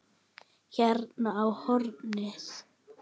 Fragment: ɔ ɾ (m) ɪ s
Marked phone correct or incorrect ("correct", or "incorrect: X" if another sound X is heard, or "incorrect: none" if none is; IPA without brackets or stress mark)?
incorrect: n